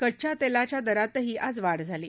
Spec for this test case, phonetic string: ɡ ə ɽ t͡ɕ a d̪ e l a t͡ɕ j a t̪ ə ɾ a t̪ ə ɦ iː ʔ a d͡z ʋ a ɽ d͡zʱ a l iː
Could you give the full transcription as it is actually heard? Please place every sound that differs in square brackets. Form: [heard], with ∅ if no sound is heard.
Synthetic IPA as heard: [k] ə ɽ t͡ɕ a [t̪] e l a t͡ɕ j a [d̪] ə ɾ a t̪ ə ɦ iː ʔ a d͡z ʋ a ɽ d͡zʱ a l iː